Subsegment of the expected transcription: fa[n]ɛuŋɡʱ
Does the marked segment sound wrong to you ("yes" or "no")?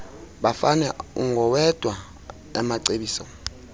no